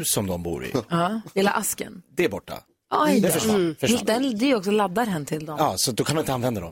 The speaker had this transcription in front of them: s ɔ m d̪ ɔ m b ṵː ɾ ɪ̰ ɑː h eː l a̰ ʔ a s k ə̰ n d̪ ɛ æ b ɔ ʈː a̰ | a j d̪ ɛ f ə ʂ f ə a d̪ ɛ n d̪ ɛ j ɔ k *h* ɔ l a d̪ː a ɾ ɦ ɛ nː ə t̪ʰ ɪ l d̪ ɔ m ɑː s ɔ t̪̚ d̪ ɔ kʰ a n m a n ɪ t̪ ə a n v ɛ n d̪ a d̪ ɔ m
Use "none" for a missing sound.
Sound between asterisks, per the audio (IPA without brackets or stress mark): s